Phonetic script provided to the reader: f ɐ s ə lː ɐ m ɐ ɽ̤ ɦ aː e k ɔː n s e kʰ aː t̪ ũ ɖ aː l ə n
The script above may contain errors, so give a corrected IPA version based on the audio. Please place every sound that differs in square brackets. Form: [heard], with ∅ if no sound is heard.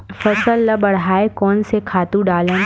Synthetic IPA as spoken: f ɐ s ə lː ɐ [b] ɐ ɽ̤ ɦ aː e k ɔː n s e kʰ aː t̪ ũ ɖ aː l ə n